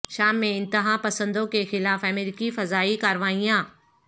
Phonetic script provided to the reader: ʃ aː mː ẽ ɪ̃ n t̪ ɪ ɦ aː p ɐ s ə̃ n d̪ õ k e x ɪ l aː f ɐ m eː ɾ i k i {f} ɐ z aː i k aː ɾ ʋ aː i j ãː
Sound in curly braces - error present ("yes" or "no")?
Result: no